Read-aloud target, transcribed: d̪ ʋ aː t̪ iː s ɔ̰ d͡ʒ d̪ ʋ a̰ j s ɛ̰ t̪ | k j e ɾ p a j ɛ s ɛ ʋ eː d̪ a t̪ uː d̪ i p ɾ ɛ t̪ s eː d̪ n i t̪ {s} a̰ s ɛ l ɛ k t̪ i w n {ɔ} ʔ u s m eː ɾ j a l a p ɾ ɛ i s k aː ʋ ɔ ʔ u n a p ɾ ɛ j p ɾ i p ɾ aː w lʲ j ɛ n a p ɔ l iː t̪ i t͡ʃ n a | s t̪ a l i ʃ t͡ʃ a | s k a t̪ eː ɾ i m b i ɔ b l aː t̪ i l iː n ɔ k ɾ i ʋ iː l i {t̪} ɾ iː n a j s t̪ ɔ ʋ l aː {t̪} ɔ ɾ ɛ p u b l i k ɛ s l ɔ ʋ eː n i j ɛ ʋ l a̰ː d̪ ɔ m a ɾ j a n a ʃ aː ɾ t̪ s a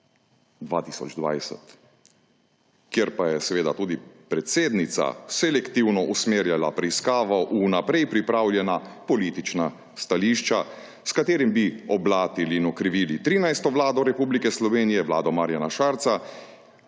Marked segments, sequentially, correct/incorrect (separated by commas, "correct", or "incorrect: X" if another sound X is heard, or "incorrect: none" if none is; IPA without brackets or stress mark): correct, correct, correct, incorrect: d̪